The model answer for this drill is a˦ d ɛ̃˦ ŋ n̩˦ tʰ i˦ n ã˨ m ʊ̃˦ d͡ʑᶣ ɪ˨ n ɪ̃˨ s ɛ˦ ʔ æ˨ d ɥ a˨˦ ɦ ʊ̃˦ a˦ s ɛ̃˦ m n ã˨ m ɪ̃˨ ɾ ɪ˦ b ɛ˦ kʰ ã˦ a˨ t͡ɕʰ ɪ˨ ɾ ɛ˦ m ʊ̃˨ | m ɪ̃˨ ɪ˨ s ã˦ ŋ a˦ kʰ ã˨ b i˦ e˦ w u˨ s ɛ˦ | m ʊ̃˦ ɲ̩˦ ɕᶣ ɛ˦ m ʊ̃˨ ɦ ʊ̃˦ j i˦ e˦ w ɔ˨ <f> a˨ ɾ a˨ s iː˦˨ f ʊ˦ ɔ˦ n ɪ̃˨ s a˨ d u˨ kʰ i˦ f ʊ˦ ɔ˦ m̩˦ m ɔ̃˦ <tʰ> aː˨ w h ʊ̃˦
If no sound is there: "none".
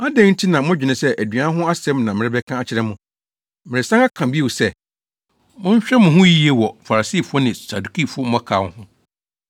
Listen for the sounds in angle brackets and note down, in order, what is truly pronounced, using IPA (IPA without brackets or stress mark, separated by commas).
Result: f, kʰ